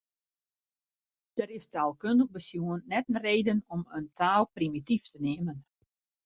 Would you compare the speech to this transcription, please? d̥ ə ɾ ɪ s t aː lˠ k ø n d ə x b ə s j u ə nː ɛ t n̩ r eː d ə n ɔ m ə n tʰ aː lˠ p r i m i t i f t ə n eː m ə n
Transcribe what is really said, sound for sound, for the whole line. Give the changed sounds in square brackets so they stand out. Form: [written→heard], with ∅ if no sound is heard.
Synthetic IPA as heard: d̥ ə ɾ ɪ s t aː lˠ k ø n d ə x b ə s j u ə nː ɛ t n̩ r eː d ə n ɔ m ə n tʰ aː lˠ p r i m i t i f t ə n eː m ə n